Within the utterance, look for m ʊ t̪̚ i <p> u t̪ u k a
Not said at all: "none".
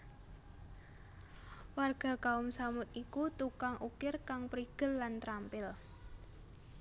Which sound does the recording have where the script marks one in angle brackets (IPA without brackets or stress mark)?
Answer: k